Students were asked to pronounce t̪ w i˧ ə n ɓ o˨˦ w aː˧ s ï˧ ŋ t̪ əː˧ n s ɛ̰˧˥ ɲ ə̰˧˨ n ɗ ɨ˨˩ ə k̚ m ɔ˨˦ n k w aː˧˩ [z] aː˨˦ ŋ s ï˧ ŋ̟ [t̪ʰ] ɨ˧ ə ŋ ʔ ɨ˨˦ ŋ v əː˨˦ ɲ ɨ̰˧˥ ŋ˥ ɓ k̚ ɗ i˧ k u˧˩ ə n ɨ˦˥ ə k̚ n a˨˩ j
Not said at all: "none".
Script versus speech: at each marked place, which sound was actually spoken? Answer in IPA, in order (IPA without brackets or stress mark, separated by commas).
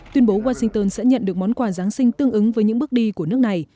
z, t̪